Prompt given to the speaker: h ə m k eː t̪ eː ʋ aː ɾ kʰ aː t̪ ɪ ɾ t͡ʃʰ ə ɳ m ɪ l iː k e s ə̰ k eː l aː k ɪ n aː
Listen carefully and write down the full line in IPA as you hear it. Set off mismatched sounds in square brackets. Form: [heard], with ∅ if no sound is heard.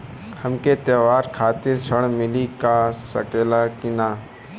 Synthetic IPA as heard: h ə m k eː t̪ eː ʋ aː ɾ kʰ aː t̪ ɪ ɾ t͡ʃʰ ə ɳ m ɪ l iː k [a] s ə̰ k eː l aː k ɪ n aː